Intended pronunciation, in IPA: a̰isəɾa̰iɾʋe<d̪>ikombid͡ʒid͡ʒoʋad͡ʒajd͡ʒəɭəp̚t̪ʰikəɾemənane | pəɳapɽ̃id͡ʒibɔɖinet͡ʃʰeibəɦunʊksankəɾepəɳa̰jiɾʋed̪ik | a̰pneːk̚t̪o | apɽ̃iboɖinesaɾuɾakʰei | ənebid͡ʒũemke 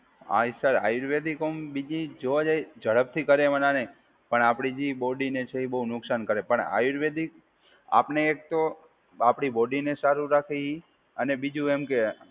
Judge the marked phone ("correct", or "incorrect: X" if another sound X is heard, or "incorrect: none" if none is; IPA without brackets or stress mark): correct